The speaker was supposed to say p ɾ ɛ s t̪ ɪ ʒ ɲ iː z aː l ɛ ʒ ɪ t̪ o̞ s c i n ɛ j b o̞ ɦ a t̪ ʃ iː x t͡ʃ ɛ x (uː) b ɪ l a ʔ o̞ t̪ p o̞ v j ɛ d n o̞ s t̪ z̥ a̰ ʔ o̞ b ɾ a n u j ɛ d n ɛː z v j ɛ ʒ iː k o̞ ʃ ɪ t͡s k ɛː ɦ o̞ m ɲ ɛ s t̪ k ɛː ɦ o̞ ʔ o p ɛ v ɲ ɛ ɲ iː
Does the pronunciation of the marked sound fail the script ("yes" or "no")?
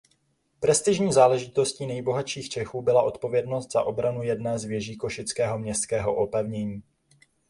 no